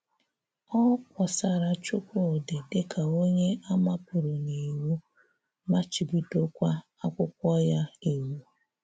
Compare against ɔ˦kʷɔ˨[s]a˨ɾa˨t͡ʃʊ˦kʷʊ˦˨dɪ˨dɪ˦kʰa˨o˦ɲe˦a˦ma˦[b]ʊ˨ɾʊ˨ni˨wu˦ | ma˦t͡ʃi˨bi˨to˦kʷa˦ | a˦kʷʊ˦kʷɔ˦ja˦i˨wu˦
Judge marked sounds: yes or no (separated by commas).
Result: yes, no